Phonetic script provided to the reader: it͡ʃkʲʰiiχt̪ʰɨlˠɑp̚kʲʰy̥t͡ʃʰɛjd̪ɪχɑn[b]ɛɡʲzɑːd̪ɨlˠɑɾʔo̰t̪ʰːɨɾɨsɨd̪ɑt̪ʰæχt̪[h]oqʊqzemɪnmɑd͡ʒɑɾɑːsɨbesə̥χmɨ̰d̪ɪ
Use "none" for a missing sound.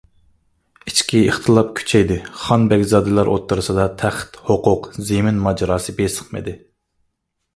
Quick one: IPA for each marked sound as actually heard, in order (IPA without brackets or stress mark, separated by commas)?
b, h